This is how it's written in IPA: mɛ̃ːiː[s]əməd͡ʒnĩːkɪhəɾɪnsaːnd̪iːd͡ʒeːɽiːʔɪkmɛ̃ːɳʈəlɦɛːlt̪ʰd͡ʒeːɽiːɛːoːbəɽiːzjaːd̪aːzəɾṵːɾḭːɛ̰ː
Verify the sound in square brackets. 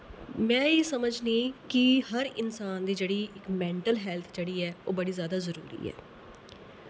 correct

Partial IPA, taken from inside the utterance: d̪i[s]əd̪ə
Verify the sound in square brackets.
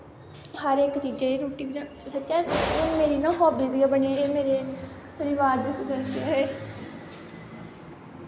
correct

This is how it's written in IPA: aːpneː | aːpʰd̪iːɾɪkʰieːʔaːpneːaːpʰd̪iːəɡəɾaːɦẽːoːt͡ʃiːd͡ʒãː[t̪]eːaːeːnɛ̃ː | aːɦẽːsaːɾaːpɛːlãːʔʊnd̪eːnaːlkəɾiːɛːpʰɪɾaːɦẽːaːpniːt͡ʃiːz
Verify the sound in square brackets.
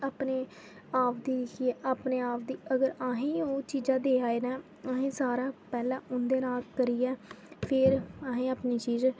incorrect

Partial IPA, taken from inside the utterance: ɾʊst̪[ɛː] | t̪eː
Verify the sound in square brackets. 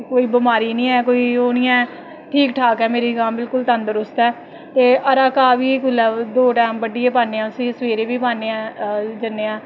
correct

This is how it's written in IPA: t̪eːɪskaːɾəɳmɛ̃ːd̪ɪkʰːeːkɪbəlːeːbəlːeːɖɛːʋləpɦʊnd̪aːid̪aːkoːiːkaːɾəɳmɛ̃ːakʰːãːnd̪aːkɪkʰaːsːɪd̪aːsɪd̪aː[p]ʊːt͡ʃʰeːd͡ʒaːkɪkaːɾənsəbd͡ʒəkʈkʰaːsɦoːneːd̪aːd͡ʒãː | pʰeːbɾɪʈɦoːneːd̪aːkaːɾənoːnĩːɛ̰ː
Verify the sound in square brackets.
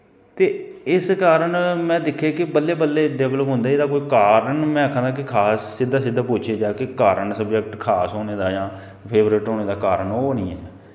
correct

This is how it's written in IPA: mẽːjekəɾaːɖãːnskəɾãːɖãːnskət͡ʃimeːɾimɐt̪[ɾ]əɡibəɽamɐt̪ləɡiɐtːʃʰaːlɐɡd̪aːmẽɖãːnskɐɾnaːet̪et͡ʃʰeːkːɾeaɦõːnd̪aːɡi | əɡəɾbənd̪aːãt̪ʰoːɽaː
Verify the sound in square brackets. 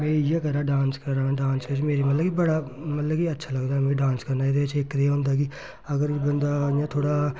incorrect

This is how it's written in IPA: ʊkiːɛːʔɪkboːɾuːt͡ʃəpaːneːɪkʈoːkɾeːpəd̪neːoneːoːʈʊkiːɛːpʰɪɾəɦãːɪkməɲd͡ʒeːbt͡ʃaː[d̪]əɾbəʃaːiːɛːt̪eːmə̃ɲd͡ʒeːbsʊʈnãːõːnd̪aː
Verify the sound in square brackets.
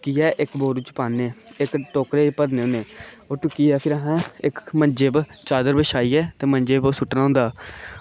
correct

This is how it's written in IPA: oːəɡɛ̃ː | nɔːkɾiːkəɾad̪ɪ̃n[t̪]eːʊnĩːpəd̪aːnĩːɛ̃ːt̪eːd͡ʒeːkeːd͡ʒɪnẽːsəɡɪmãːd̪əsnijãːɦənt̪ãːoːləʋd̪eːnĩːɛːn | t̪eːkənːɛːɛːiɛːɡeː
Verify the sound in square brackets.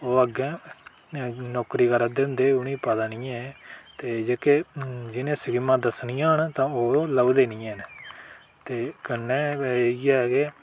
incorrect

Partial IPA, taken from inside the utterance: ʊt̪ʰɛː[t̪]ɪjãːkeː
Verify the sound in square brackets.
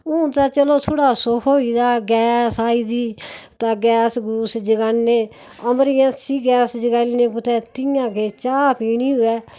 correct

